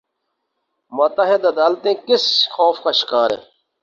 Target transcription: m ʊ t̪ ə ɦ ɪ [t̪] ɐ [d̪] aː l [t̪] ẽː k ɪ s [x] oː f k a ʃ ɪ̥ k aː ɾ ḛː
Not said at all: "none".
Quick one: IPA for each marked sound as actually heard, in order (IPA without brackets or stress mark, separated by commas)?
d̪, d̪, t̪, x